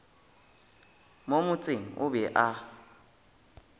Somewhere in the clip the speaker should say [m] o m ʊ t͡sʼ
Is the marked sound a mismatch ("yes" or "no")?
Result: no